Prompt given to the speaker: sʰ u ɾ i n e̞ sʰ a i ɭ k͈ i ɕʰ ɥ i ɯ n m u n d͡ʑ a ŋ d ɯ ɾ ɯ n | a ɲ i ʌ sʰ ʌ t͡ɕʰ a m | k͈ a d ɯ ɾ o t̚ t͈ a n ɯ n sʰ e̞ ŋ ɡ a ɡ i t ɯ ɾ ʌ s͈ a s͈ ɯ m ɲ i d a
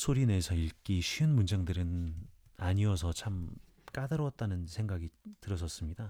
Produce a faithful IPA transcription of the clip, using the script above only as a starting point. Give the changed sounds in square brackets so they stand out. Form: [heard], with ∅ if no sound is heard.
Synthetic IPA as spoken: sʰ [o] ɾ i n e̞ sʰ [ʌ] i ɭ k͈ i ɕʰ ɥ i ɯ n m u n d͡ʑ a ŋ d ɯ ɾ ɯ n | a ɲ i ʌ sʰ ʌ t͡ɕʰ a m | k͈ a d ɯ ɾ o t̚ t͈ a n ɯ n sʰ e̞ ŋ ɡ a ɡ i t ɯ ɾ ʌ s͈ [ʌ] s͈ ɯ m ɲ i d a